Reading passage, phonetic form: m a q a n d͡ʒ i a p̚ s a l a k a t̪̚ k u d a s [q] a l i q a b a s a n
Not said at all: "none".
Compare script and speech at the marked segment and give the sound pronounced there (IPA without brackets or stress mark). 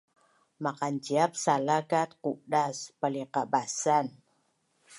p